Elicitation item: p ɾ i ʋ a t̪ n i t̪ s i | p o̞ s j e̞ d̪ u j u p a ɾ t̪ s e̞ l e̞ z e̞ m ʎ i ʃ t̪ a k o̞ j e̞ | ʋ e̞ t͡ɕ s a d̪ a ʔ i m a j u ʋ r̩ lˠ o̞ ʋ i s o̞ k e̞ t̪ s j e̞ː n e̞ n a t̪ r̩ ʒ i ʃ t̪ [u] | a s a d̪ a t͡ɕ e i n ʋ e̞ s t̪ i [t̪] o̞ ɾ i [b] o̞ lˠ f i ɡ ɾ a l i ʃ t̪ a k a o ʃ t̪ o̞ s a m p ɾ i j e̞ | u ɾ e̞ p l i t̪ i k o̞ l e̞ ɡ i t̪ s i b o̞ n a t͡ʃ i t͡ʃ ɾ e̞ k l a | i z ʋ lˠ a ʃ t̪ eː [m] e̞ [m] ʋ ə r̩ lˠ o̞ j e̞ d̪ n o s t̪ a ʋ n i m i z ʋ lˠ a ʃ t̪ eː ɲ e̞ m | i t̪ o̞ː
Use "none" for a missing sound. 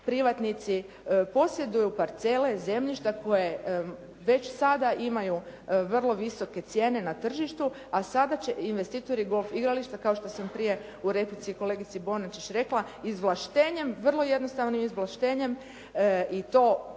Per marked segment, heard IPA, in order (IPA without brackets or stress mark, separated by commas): u, t̪, ɡ, ɲ, m